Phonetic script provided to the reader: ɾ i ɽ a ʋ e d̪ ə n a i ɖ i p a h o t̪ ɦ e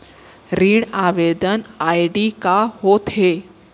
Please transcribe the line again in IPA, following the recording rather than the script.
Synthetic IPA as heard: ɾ i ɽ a ʋ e d̪ ə n a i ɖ i k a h o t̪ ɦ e